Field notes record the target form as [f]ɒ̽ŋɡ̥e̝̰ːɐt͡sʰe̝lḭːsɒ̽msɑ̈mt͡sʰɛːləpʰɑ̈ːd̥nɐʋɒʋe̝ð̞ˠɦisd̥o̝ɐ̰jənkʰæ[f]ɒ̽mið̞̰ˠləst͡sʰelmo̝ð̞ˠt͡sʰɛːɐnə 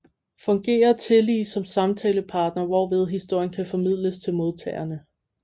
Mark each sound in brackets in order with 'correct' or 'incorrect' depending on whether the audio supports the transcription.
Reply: correct, correct

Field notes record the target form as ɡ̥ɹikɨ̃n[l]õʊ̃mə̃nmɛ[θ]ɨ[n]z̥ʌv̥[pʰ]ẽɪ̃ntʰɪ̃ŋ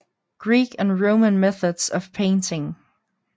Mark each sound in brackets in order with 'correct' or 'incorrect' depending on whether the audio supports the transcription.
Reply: incorrect, correct, incorrect, correct

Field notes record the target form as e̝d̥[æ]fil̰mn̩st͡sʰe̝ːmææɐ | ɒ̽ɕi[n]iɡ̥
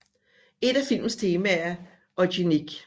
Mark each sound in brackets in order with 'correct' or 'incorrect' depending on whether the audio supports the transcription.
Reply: correct, correct

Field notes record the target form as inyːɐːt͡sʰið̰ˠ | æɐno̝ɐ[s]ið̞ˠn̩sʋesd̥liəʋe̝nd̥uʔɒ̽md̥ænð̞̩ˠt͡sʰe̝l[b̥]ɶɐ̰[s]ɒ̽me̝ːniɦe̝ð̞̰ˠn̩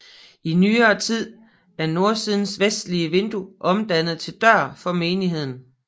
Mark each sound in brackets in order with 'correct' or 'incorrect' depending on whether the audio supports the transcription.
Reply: correct, incorrect, incorrect

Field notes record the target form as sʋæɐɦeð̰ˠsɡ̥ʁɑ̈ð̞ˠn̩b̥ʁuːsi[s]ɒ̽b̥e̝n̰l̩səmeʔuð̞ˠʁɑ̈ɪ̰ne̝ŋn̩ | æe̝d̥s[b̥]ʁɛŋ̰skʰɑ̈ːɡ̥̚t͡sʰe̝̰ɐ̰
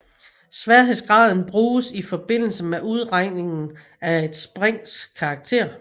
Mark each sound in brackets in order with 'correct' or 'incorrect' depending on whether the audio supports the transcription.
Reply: incorrect, correct

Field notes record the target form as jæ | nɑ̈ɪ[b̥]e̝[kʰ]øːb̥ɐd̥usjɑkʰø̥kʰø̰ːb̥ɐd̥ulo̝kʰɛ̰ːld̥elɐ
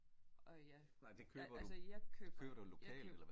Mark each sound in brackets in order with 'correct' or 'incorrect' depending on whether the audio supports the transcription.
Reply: incorrect, correct

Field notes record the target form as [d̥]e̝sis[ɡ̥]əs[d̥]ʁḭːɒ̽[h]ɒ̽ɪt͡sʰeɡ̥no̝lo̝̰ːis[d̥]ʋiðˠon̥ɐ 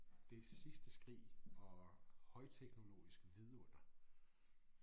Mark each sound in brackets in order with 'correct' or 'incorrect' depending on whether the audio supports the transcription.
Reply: correct, incorrect, incorrect, correct, incorrect

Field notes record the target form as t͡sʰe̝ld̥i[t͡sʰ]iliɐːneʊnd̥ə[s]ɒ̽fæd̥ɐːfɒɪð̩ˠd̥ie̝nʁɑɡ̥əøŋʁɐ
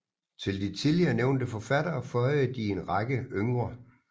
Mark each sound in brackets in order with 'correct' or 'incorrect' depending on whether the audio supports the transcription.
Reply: correct, incorrect

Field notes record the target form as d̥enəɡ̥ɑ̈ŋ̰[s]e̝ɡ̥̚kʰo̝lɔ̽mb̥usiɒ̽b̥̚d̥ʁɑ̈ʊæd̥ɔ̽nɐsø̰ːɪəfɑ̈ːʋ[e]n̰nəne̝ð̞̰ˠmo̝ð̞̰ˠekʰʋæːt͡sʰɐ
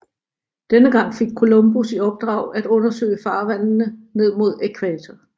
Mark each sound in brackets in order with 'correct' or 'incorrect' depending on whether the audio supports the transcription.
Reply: incorrect, incorrect

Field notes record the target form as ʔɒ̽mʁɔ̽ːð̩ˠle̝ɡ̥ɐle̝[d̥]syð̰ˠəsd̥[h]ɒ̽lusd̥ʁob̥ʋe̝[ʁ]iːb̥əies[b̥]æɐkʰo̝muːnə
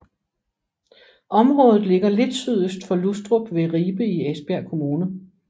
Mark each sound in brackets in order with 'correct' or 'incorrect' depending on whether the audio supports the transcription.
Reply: correct, incorrect, correct, correct

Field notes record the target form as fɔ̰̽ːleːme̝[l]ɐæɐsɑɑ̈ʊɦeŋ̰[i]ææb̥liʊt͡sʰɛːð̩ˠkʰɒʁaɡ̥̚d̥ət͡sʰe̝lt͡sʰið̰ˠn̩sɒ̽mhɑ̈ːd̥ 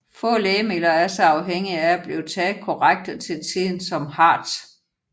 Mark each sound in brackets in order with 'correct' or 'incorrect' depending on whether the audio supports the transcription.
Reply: correct, correct

